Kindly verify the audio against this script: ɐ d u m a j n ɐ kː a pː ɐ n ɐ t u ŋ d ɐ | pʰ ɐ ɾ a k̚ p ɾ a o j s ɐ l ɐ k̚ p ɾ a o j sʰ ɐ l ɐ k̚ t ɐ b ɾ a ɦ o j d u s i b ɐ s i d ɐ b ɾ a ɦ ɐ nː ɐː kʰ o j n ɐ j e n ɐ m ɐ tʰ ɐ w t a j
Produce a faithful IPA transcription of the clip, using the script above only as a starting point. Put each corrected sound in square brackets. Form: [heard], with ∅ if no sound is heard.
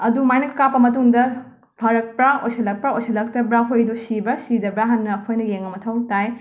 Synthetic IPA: ɐ d u m a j n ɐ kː a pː ɐ [m] ɐ t u ŋ d ɐ | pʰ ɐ ɾ [ɐ] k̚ p ɾ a o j s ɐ l ɐ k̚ p ɾ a o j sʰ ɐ l ɐ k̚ t ɐ b ɾ a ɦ o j d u s i b ɐ s i d ɐ b ɾ a ɦ ɐ nː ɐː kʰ o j n ɐ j e [ŋ] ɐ m ɐ tʰ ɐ w t a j